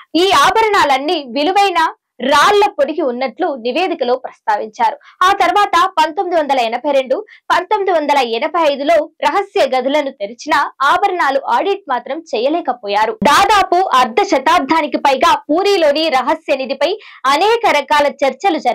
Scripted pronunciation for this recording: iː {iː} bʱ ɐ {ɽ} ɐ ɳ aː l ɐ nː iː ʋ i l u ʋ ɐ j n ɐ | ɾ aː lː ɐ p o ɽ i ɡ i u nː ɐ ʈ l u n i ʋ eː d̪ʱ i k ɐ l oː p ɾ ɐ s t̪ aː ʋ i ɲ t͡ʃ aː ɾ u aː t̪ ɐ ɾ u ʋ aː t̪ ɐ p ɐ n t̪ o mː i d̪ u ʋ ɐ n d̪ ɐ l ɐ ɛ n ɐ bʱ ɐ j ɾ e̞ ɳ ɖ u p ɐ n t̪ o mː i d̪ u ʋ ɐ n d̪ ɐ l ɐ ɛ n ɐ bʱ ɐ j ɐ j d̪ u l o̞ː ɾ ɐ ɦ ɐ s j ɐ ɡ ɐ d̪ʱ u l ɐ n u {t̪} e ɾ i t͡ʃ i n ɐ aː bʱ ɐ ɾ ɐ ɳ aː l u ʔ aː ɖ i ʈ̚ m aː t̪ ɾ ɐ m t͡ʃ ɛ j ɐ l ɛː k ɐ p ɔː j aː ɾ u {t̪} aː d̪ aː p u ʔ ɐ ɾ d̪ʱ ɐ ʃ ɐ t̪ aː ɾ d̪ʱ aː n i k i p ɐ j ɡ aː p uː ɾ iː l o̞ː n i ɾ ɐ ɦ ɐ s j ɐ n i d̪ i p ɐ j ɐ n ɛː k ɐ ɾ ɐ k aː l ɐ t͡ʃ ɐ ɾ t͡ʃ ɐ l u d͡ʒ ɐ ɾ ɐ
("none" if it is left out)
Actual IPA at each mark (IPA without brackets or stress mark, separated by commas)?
aː, ɾ, t̪, d̪